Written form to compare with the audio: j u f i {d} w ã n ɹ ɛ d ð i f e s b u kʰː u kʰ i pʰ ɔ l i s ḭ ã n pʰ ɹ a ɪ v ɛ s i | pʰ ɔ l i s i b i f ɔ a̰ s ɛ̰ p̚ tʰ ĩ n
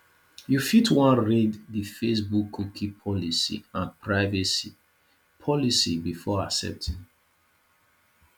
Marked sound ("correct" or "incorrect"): incorrect